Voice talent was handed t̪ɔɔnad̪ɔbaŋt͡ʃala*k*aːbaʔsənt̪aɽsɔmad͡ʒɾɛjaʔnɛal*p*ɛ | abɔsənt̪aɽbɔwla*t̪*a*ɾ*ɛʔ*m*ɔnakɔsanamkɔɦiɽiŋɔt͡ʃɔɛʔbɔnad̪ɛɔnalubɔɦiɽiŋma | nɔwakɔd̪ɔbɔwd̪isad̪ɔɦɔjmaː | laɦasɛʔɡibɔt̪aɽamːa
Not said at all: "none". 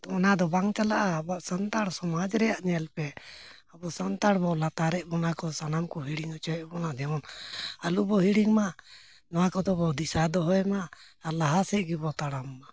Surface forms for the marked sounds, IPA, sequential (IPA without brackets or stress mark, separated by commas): ʔ, p, t̪, ɾ, b